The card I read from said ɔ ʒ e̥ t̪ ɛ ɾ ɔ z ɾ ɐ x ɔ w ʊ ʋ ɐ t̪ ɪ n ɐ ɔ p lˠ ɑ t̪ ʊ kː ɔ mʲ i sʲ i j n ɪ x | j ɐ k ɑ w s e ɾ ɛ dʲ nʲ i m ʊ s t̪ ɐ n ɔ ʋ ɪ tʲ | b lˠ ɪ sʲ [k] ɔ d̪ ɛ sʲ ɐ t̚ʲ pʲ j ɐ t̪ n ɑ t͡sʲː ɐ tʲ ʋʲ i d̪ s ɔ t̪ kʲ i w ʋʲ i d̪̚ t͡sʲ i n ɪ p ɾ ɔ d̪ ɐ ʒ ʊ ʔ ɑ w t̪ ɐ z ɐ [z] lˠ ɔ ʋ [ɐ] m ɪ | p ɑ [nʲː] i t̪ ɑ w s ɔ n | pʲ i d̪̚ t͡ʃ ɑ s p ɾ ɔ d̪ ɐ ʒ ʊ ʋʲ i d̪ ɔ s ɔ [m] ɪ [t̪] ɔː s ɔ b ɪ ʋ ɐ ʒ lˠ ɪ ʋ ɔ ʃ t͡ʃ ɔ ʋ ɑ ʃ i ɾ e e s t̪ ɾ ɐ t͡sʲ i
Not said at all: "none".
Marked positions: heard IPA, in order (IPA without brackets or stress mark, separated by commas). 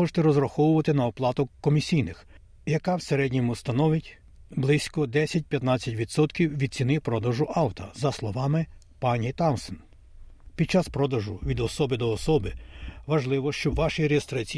k, s, ɑ, nʲ, b, d̪